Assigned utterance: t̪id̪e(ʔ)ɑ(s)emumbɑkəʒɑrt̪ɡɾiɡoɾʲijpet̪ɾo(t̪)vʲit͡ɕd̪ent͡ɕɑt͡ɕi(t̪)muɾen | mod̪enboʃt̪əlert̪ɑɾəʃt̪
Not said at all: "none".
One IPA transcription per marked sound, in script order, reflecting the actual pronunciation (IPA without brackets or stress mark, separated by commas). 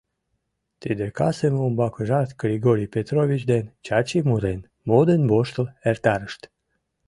k, s, none, none